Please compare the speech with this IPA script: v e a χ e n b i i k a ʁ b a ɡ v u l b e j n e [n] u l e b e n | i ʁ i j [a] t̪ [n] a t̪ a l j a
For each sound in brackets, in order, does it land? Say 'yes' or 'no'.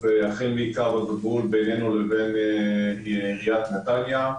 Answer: yes, yes, yes

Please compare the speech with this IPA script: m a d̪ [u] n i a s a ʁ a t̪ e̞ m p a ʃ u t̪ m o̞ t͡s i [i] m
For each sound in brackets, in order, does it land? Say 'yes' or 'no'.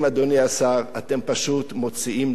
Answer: no, yes

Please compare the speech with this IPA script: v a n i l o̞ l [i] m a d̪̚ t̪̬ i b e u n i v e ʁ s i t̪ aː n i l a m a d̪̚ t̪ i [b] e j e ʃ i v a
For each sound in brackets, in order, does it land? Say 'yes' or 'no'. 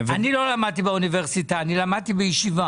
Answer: no, yes

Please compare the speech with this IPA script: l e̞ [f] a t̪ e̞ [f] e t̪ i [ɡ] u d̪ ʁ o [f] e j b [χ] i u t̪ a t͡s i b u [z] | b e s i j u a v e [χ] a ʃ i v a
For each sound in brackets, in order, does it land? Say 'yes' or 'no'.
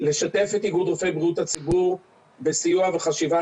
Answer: no, yes, yes, yes, no, no, yes

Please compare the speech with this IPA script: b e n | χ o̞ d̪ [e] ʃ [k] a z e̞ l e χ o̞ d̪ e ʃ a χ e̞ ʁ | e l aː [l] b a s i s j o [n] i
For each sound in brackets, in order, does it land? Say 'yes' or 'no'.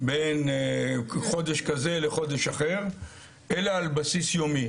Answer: yes, yes, yes, no

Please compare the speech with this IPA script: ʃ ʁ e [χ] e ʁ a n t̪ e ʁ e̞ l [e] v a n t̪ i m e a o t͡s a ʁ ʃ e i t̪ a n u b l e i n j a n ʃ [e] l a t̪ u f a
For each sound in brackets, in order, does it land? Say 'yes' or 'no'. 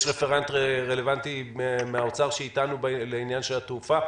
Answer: no, yes, yes

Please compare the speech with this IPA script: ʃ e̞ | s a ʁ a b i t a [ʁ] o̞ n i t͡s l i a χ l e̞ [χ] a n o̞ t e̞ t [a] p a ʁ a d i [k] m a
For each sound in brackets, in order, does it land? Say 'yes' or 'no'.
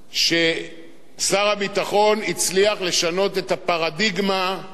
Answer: no, no, yes, no

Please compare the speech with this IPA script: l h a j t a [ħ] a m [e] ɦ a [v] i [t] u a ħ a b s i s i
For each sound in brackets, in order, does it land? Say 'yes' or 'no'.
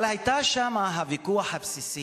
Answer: no, no, yes, no

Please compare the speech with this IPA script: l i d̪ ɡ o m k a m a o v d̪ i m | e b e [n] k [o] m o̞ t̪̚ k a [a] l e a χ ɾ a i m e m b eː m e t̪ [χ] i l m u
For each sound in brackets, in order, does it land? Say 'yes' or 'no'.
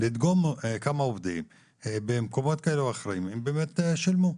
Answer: no, yes, no, no

